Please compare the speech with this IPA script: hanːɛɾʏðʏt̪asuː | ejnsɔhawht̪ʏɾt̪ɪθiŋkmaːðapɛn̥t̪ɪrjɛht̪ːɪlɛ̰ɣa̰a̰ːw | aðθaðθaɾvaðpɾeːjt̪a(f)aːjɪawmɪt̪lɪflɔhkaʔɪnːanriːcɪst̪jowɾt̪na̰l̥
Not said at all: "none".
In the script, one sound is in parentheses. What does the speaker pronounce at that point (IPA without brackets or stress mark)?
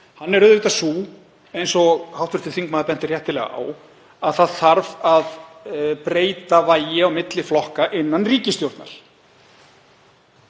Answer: v